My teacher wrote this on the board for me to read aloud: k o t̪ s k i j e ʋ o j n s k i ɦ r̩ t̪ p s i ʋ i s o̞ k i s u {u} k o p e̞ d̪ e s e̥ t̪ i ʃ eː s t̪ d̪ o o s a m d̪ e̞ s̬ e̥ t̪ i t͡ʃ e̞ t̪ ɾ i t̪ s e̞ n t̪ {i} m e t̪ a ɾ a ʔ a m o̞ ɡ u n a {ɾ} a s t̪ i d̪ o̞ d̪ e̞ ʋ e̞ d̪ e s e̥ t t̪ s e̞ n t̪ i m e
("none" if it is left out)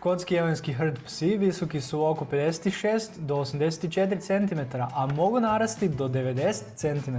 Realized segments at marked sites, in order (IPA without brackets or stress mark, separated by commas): o, i, ɾ